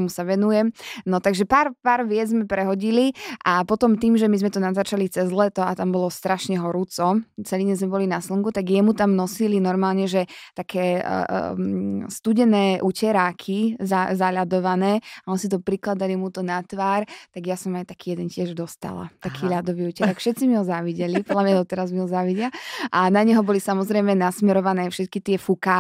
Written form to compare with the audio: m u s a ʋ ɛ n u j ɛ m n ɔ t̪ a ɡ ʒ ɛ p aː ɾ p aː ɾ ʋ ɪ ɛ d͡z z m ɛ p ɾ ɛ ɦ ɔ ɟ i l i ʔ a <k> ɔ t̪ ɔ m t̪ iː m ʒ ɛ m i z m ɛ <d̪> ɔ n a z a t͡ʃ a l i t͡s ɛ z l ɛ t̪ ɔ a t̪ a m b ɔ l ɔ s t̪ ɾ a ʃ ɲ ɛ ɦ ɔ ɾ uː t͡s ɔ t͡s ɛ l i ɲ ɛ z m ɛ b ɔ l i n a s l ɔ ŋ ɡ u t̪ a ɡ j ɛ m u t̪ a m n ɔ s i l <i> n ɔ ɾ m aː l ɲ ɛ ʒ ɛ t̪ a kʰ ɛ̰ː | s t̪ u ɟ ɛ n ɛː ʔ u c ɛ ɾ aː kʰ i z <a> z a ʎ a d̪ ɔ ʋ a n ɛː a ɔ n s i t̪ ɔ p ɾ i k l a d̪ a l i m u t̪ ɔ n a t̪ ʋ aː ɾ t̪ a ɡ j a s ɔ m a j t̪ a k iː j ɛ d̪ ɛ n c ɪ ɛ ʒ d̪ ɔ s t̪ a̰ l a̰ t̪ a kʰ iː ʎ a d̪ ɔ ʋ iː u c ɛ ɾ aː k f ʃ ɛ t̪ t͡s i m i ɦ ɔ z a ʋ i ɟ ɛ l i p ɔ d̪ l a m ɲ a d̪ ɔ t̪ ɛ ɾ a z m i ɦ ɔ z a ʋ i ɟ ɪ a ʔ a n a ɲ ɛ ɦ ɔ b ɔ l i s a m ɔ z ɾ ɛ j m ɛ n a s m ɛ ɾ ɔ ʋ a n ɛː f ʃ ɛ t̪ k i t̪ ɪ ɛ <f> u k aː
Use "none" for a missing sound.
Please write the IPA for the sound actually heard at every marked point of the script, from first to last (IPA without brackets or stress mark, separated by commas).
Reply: p, t̪, i, a, f